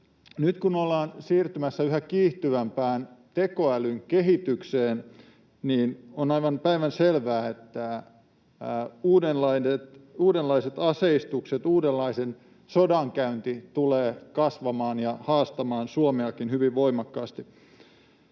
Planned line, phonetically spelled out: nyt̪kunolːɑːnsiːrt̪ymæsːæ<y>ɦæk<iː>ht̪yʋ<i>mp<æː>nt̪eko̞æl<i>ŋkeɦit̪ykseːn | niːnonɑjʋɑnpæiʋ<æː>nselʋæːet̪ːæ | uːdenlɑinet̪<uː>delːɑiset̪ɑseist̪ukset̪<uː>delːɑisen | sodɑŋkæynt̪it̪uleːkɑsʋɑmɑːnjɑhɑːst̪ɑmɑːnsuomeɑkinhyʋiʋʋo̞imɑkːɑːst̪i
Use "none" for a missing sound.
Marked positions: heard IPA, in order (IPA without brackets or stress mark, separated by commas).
y, iː, æ, æː, y, æ, uː, uː